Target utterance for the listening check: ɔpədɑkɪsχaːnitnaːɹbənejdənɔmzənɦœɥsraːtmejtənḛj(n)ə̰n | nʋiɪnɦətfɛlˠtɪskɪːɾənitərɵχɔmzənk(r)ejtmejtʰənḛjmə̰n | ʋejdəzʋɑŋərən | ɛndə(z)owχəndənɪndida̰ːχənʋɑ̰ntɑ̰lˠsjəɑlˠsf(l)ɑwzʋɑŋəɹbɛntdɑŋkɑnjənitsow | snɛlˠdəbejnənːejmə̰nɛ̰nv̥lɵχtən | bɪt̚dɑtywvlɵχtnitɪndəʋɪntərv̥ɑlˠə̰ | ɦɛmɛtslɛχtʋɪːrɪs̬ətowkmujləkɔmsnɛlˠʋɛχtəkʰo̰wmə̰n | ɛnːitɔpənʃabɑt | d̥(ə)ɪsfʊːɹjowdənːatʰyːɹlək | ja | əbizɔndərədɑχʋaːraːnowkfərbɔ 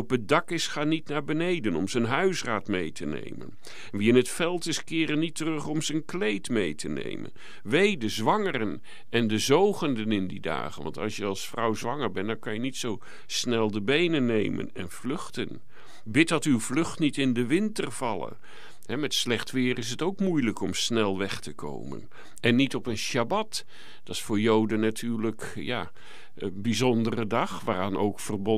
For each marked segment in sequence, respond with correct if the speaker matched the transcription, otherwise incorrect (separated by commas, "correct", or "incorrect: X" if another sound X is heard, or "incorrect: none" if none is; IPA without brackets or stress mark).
incorrect: m, incorrect: l, correct, incorrect: r, incorrect: ɑ